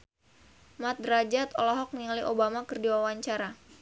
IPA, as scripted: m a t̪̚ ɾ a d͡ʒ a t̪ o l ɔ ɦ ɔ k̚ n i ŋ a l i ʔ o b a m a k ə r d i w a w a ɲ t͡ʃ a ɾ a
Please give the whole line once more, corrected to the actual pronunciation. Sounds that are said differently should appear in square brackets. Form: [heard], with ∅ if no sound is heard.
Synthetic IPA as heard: m a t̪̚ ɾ a d͡ʒ a t̪ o l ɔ ɦ ɔ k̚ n i ŋ a l i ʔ o b a m a k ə r d i w a w a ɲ t͡ʃ a ɾ a